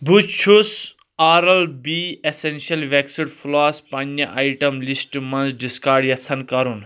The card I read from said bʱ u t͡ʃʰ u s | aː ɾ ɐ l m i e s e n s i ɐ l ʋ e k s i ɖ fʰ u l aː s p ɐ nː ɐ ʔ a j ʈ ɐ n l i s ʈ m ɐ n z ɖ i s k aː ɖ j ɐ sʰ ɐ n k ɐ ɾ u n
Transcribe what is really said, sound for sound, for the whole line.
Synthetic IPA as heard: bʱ u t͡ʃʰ u s | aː ɾ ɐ l b i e s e n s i ɐ l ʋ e k s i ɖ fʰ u l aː s p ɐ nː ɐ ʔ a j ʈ ɐ m l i s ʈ m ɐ n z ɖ i s k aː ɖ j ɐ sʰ ɐ n k ɐ ɾ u n